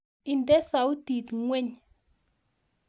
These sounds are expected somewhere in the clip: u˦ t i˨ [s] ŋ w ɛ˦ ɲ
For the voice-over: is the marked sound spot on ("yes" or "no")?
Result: no